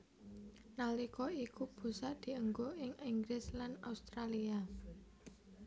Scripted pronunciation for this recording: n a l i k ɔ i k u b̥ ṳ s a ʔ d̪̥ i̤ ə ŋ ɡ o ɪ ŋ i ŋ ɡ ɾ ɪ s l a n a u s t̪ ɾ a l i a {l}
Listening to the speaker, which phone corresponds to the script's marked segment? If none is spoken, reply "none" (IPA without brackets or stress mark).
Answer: none